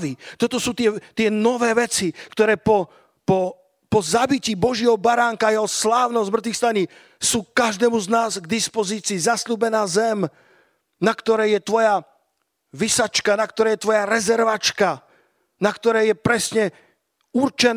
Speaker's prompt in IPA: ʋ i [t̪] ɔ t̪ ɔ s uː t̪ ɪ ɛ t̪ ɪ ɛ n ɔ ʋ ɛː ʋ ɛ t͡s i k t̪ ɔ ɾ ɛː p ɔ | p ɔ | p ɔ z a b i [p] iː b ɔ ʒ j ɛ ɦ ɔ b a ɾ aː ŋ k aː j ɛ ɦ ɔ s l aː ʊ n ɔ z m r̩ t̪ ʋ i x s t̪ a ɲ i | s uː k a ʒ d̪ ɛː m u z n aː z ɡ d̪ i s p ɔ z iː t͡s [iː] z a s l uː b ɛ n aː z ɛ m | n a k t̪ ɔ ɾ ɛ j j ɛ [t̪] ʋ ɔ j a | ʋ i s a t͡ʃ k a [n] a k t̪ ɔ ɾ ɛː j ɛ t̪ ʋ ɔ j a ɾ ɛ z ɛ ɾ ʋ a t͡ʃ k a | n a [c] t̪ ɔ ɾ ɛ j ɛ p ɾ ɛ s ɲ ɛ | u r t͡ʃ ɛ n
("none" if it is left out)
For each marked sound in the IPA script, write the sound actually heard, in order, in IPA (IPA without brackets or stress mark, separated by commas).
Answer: t̪, c, iː, t̪, n, k